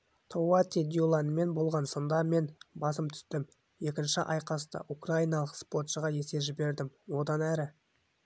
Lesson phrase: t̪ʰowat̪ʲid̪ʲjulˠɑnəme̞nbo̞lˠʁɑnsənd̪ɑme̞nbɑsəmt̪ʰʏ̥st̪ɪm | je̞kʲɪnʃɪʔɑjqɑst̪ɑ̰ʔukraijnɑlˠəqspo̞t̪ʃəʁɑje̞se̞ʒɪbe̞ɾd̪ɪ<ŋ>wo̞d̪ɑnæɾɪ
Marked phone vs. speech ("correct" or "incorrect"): incorrect